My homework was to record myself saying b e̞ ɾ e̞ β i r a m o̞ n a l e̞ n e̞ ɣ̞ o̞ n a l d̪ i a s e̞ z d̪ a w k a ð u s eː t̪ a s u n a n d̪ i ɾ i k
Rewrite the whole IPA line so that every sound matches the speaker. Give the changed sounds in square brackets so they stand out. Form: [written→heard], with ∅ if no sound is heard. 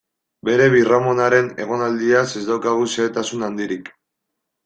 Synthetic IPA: b e̞ ɾ e̞ β i r a m o̞ n a [l→ɾ] e̞ n e̞ ɣ̞ o̞ n a l d̪ i a s e̞ z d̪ a w k a [ð→ɣ] u s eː t̪ a s u n a n d̪ i ɾ i k